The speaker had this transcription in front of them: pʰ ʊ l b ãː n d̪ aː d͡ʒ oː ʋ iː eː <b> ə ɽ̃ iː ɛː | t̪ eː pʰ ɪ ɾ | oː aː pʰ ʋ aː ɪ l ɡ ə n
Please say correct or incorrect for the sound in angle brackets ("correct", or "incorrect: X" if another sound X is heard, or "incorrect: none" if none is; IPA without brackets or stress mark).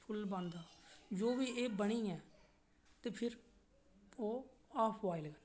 correct